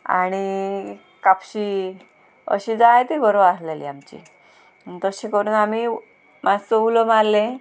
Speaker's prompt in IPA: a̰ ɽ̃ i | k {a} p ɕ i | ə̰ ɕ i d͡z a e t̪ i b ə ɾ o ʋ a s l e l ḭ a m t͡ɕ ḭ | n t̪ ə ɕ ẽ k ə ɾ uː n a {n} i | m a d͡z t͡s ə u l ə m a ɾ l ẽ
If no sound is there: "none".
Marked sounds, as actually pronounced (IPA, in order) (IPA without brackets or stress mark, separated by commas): a, m